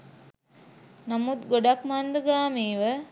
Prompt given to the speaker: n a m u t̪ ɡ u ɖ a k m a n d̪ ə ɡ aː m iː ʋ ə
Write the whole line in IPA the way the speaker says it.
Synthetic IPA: n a m u t̪ ɡ o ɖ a k m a n d̪ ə ɡ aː m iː ʋ ə